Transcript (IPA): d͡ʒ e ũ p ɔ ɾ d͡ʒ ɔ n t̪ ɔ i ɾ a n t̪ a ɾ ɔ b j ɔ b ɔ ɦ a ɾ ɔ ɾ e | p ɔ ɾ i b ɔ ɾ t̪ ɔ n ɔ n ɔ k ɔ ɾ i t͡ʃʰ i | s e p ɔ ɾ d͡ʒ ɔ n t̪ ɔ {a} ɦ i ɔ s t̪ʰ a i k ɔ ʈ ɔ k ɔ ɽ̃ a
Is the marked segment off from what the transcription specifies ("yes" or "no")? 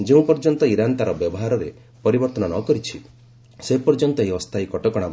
yes